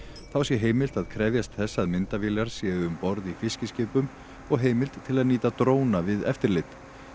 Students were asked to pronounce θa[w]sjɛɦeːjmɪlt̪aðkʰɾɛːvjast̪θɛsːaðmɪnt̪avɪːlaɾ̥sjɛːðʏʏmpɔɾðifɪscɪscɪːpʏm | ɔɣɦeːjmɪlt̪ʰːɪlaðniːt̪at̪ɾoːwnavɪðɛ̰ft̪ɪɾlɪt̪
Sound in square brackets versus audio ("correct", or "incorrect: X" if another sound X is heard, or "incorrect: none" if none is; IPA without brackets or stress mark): correct